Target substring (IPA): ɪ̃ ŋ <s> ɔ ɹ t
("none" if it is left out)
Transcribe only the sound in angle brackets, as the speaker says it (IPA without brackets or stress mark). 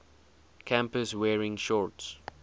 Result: ʃ